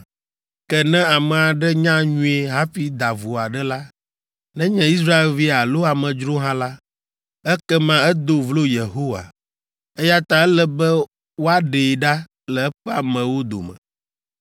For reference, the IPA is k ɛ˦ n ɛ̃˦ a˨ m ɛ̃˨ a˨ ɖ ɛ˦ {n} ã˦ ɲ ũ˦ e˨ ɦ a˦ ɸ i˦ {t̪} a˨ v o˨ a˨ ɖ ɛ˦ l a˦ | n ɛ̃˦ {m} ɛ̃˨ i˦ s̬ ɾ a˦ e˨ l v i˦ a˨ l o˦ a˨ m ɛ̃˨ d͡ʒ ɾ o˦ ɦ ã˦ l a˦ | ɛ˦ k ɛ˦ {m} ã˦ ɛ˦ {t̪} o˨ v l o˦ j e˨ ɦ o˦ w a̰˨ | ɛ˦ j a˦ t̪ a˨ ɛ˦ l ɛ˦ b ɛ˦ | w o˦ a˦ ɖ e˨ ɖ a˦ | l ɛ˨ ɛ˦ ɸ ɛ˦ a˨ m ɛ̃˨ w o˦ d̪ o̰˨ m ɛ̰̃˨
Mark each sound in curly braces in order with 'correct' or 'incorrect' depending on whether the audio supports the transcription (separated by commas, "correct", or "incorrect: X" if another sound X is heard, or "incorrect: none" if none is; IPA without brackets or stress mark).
incorrect: ɲ, incorrect: d̪, incorrect: ɲ, correct, incorrect: d̪